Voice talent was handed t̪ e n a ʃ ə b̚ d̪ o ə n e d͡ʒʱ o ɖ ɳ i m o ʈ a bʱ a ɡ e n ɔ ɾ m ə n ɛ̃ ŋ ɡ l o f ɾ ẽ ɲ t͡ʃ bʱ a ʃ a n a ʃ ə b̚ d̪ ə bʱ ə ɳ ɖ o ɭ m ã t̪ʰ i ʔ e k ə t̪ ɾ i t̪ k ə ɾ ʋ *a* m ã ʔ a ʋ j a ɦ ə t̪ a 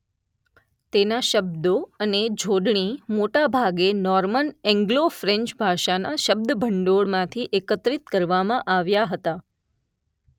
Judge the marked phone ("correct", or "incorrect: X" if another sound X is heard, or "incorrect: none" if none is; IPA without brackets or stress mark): correct